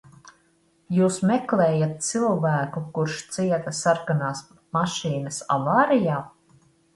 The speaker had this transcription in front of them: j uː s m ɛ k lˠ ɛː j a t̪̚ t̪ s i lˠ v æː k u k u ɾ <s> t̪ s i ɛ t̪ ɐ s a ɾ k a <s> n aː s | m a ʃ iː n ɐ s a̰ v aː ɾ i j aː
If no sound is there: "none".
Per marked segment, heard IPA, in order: ʃ, none

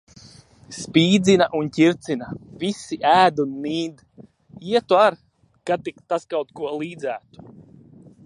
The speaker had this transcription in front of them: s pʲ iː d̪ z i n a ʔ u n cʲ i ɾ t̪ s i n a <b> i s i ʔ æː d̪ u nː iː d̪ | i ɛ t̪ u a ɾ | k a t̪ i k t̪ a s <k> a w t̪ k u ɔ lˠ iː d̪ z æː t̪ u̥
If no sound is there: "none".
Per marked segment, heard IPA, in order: v, k

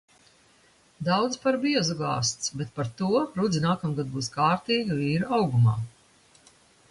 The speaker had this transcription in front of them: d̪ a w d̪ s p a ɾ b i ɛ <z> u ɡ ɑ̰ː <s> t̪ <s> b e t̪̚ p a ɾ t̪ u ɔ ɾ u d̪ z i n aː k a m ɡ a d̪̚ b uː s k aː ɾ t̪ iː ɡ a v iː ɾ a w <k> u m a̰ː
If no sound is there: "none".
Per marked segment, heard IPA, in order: z, s, s, ɡ

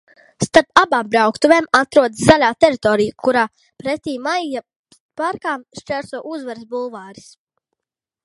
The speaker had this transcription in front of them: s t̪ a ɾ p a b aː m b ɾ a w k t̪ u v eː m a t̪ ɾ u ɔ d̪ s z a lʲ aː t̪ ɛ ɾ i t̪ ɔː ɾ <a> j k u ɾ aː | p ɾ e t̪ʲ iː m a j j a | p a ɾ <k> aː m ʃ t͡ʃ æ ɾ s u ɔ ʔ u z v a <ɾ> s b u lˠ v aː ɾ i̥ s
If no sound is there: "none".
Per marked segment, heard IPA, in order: i, k, ɾ

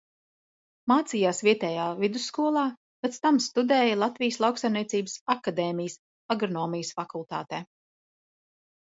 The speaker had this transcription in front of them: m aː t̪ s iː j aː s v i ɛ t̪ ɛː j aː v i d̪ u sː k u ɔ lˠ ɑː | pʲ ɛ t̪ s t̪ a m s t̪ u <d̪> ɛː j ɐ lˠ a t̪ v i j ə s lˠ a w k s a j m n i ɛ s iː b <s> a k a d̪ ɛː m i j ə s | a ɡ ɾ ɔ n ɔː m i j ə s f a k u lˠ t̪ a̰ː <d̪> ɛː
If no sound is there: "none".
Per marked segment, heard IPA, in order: d̪, s, t̪

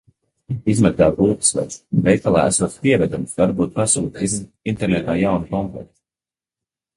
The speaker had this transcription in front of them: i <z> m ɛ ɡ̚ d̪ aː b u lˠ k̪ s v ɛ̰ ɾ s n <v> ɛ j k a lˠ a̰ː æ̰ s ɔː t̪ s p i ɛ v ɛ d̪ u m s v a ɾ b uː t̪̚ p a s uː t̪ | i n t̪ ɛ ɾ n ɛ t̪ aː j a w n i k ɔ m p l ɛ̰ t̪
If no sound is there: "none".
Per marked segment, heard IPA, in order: z, v

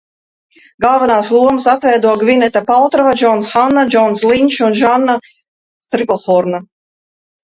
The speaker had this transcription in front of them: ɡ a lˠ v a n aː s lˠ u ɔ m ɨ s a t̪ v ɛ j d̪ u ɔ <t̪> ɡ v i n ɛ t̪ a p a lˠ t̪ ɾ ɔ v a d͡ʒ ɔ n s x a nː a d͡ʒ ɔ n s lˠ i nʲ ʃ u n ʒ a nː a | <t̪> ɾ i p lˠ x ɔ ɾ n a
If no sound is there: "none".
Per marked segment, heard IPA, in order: none, t̪

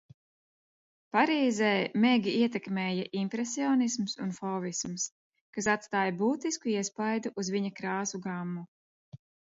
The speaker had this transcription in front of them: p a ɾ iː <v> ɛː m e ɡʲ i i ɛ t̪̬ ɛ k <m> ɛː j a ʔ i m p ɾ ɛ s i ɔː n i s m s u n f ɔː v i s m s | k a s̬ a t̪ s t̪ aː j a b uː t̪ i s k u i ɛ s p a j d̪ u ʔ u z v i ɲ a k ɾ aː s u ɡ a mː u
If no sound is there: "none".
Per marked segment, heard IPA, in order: z, m

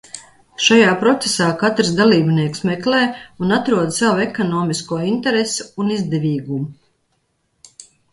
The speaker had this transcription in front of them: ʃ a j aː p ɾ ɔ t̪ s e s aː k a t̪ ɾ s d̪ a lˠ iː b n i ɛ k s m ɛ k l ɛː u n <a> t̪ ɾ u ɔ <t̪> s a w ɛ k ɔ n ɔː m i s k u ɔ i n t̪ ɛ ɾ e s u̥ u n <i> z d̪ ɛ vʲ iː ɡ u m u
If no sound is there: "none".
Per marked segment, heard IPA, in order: a, d̪, i

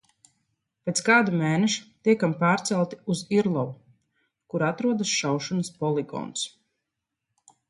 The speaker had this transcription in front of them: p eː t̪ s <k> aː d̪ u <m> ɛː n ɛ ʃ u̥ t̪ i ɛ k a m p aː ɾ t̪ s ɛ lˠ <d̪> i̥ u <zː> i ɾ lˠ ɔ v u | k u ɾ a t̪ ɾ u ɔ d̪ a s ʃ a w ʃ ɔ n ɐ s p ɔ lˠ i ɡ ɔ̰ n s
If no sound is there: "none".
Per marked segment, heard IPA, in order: k, m, t̪, z

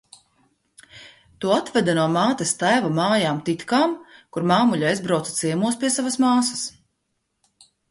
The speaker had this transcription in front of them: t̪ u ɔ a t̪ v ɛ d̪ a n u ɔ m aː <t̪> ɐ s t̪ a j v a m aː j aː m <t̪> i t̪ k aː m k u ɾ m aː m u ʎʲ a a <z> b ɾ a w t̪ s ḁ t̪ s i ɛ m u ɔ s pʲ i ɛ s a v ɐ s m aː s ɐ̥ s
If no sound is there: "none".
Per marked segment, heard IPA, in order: t̪, t̪, z

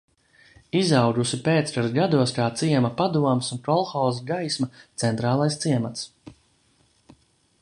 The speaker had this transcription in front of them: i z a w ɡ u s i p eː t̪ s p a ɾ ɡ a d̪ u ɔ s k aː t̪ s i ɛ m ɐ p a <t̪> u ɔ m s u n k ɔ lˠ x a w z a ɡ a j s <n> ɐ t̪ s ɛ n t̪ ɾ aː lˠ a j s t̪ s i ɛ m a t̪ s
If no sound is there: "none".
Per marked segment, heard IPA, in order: d̪, m

